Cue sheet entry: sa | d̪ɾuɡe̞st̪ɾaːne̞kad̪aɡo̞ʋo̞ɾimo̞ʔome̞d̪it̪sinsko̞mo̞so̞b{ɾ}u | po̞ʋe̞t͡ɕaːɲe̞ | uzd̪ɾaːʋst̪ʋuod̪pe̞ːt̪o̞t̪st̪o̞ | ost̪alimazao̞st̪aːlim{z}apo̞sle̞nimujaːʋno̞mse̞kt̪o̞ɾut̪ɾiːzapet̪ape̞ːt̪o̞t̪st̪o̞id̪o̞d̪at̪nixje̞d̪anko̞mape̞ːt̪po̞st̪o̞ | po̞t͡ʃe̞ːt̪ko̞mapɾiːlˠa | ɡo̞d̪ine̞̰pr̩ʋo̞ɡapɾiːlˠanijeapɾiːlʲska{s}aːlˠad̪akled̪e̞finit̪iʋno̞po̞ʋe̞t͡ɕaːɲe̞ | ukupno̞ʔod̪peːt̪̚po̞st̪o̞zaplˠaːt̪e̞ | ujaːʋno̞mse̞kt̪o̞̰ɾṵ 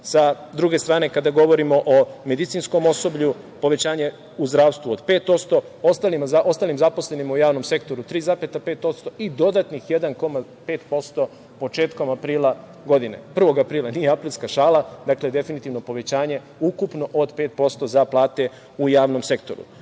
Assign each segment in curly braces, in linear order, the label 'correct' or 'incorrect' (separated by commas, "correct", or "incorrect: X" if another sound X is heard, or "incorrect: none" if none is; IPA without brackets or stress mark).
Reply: incorrect: ʎ, correct, incorrect: ʃ